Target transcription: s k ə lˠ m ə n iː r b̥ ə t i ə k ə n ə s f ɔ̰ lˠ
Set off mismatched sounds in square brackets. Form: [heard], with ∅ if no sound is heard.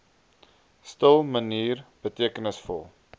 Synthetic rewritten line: s [t] ə lˠ m ə n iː r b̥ ə t i ə k ə n ə s f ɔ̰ lˠ